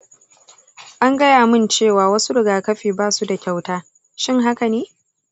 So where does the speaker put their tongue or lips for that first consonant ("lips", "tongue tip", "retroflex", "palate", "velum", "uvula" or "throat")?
throat